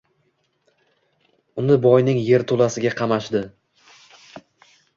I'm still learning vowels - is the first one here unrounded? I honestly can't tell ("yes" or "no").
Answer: no